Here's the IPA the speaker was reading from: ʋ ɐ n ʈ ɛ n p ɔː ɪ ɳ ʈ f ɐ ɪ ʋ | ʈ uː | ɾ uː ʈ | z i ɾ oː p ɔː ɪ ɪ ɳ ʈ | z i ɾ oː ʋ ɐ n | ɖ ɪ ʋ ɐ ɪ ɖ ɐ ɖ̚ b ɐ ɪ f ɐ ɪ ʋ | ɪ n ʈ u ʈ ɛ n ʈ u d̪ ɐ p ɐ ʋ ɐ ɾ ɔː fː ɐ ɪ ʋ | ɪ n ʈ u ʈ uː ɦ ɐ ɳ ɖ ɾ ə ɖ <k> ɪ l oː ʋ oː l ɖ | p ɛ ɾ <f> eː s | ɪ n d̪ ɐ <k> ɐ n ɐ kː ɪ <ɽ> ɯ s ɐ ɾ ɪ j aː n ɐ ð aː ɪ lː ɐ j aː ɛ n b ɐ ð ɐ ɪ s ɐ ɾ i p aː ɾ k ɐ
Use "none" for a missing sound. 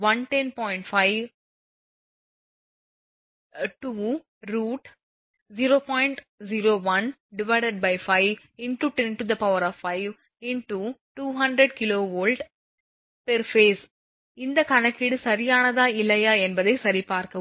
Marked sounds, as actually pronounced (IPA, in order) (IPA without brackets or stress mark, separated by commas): k, f, k, ɽ